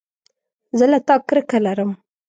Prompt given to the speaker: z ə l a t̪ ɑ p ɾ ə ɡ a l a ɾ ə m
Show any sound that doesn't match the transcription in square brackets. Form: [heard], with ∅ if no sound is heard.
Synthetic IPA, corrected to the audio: z ə l a t̪ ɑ [k] ɾ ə [k] a l a ɾ ə m